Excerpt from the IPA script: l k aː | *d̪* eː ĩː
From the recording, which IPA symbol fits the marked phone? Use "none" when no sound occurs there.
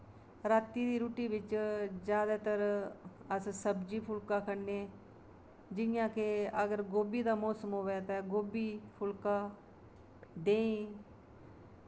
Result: d̪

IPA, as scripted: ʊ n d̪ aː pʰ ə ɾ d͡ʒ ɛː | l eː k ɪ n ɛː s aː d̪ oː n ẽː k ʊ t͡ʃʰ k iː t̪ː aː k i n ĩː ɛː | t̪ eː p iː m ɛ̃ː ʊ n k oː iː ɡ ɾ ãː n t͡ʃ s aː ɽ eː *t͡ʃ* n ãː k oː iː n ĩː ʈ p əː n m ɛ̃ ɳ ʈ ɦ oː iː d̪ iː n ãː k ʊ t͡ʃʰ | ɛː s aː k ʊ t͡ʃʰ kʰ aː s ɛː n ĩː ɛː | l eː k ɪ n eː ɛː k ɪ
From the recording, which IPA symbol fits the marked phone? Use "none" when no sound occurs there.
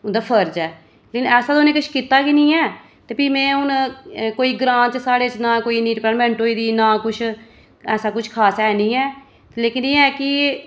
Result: t͡ʃ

